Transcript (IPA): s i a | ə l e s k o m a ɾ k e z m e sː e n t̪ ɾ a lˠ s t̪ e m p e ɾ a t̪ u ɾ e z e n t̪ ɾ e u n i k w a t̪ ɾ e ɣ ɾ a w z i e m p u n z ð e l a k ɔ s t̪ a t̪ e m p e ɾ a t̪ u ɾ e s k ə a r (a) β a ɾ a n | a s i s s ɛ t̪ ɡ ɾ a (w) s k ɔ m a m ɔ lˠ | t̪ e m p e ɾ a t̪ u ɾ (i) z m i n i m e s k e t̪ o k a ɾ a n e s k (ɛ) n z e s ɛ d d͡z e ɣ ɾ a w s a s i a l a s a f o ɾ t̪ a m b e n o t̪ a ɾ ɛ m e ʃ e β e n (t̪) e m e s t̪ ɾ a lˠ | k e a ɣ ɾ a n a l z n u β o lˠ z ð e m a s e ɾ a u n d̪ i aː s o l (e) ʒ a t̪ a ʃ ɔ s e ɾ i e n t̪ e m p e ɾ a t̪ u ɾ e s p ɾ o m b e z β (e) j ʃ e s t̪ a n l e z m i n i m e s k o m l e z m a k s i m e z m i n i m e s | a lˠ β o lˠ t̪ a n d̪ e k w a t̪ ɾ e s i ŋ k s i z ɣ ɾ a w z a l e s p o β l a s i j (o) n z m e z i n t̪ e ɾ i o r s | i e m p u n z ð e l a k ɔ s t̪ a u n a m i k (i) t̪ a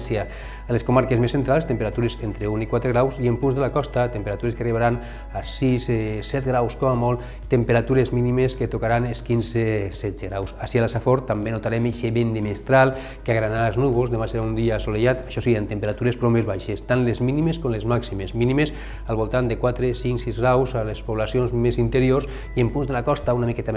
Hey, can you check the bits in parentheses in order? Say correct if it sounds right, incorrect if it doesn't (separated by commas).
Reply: incorrect, correct, incorrect, incorrect, incorrect, correct, incorrect, correct, incorrect